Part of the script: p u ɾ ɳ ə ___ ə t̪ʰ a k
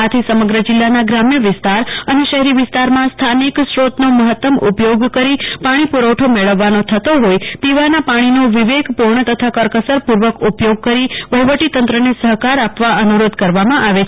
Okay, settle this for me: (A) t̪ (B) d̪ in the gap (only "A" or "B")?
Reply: A